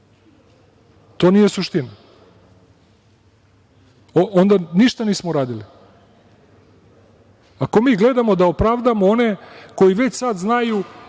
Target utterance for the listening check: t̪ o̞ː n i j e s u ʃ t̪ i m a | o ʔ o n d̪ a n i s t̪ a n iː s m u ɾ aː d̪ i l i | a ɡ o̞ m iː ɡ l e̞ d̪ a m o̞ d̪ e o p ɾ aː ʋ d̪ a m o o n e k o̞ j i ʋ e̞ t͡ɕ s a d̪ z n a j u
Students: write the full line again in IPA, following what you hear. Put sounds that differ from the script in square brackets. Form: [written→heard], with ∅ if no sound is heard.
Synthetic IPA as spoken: t̪ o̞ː n i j e s u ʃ t̪ i [m→n] a | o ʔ o n d̪ a n i [s→ʃ] t̪ a n iː s m [u→o] ɾ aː d̪ i l i | a [ɡ→k] o̞ m iː ɡ l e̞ d̪ a m o̞ d̪ [e→a] o p ɾ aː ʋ d̪ a m o o n e k o̞ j i ʋ e̞ t͡ɕ s a d̪ z n a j u

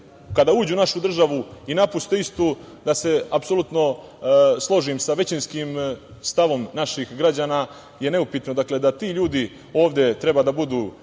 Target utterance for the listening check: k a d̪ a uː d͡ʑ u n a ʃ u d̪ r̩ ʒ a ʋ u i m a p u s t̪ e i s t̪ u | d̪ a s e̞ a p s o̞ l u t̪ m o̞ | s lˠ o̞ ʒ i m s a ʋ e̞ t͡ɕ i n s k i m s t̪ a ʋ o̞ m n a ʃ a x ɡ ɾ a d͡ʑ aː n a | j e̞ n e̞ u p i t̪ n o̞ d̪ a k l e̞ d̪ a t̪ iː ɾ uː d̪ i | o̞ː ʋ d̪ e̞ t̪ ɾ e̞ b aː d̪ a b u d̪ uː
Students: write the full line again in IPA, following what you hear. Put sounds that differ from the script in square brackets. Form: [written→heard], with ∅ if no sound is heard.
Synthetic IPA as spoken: k a d̪ a uː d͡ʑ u n a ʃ u d̪ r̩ ʒ a ʋ u i [m→n] a p u s t̪ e i s t̪ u | d̪ a s e̞ a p s o̞ l u t̪ [m→n] o̞ | s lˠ o̞ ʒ i m s a ʋ e̞ t͡ɕ i n s k i m s t̪ a ʋ o̞ m n a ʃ [a→i] x ɡ ɾ a d͡ʑ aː n a | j e̞ n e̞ u p i t̪ n o̞ d̪ a k l e̞ d̪ a t̪ iː [ɾ→ʎ] uː d̪ i | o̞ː ʋ d̪ e̞ t̪ ɾ e̞ b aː d̪ a b u d̪ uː

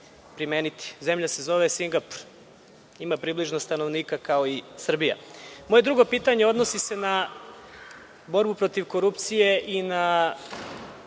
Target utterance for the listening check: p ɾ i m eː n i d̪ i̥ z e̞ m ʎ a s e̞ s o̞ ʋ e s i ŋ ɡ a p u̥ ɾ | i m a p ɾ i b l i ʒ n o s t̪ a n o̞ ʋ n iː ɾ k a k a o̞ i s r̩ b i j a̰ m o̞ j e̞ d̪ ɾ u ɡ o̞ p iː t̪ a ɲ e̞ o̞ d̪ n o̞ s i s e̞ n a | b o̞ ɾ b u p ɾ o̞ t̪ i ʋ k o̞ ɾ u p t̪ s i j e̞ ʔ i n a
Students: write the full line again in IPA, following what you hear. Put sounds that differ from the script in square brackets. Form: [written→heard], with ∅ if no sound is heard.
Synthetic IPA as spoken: p ɾ i m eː n i [d̪→t̪] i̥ z e̞ m ʎ a s e̞ [s→z] o̞ ʋ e s i ŋ ɡ a p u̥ ɾ | i m a p ɾ i b l i ʒ n o s t̪ a n o̞ ʋ n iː [ɾ→∅] k a k a o̞ i s r̩ b i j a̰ m o̞ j e̞ d̪ ɾ u ɡ o̞ p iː t̪ a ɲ e̞ o̞ d̪ n o̞ s i s e̞ n a | b o̞ ɾ b u p ɾ o̞ t̪ i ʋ k o̞ ɾ u p t̪ s i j e̞ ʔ i n a

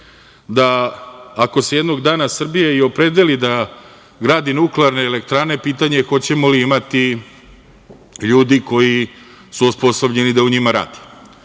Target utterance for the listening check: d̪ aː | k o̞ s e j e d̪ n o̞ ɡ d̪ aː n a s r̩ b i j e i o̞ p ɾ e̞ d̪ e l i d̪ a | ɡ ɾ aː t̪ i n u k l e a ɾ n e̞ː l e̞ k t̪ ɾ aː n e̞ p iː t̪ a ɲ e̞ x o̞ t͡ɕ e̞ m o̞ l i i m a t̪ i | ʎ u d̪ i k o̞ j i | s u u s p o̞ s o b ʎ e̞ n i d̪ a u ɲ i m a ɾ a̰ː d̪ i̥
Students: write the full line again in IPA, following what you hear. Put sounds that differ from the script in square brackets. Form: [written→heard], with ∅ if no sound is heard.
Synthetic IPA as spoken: d̪ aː | k o̞ s e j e d̪ n o̞ ɡ d̪ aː n a s r̩ b i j e i o̞ p ɾ e̞ d̪ e l i d̪ a | ɡ ɾ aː [t̪→d̪] i n u k l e a ɾ n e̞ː l e̞ k t̪ ɾ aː n e̞ p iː t̪ a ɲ e̞ x o̞ t͡ɕ e̞ m o̞ l i i m a t̪ i | ʎ [u→uː] d̪ i k o̞ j i | s u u s p o̞ s o b ʎ e̞ n i d̪ a u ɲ i m a ɾ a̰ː d̪ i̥

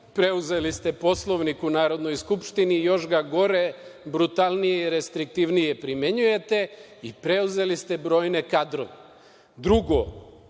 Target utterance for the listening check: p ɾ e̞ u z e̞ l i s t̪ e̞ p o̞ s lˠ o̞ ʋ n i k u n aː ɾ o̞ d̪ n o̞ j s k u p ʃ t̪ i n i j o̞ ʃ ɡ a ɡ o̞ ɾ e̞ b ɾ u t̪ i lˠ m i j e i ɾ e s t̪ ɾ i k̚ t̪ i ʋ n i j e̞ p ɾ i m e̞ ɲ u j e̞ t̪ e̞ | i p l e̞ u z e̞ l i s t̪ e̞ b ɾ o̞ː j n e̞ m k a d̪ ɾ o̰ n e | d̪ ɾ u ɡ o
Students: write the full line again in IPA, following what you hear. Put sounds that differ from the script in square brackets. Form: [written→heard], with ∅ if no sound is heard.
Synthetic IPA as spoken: p ɾ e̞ u z e̞ l i s t̪ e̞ p o̞ s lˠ o̞ ʋ n i k u n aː ɾ o̞ d̪ n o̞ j s k u p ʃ t̪ i n i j o̞ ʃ ɡ a ɡ o̞ ɾ e̞ b ɾ u t̪ [i→a] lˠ [m→n] i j e i ɾ e s t̪ ɾ i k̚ t̪ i ʋ n i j e̞ p ɾ i m e̞ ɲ u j e̞ t̪ e̞ | i p [l→ɾ] e̞ u z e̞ l i s t̪ e̞ b ɾ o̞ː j n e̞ [m→∅] k a d̪ ɾ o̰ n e | d̪ ɾ u ɡ o

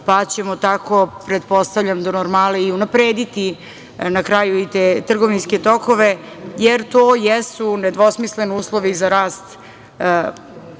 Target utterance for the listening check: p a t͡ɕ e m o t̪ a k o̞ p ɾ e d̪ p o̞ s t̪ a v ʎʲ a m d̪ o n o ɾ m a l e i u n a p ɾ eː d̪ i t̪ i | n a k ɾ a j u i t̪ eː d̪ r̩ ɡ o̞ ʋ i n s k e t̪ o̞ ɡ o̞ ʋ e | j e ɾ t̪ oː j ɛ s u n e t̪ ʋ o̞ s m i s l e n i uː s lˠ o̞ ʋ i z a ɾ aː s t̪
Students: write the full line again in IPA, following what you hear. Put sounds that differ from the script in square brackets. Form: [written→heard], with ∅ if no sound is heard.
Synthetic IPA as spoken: p a t͡ɕ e m o t̪ a k o̞ p ɾ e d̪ p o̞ s t̪ a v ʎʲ a m d̪ o n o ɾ m a l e i u n a p ɾ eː d̪ i t̪ i | n a k ɾ a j u i t̪ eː [d̪→t̪] r̩ ɡ o̞ ʋ i n s k e t̪ o̞ [ɡ→k] o̞ ʋ e | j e ɾ t̪ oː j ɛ s u n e [t̪→d̪] ʋ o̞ s m i s l e n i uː s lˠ o̞ ʋ i z a ɾ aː s t̪

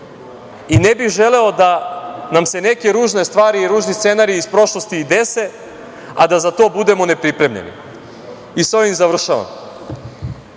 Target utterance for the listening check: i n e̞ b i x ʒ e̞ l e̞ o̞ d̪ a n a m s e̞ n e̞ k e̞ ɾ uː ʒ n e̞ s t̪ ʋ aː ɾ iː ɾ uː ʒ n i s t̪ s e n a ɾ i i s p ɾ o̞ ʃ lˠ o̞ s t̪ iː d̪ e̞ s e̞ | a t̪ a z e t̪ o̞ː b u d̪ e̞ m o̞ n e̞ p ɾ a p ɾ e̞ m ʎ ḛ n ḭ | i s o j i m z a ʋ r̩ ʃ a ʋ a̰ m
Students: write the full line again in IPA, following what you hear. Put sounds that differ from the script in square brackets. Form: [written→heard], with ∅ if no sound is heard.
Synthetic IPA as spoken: i n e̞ b i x ʒ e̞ l e̞ o̞ d̪ a n a m s e̞ n e̞ k e̞ ɾ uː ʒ n e̞ s t̪ ʋ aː ɾ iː ɾ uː ʒ n i s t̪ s e n a ɾ i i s p ɾ o̞ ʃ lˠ o̞ s t̪ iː d̪ e̞ s e̞ | a [t̪→d̪] a z [e→a] t̪ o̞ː b u d̪ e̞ m o̞ n e̞ p ɾ [a→i] p ɾ e̞ m ʎ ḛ n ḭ | i s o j i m z a ʋ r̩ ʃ a ʋ a̰ m

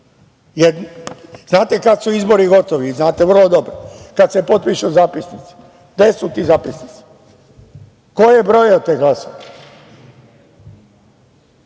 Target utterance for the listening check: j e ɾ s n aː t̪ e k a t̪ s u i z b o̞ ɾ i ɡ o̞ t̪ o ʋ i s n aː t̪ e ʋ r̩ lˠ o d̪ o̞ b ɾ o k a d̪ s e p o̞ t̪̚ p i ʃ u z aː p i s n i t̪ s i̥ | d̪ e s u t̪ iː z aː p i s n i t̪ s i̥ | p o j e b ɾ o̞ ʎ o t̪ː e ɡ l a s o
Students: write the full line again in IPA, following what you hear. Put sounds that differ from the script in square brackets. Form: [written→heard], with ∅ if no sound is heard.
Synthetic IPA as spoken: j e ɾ [s→z] n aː t̪ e k a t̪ s u i z b o̞ ɾ i ɡ o̞ t̪ o ʋ i [s→z] n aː t̪ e ʋ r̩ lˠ o d̪ o̞ b ɾ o k a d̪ s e p o̞ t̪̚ p i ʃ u z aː p i s n i t̪ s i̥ | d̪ e s u t̪ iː z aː p i s n i t̪ s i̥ | [p→k] o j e b ɾ o̞ [ʎ→j] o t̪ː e ɡ l a s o

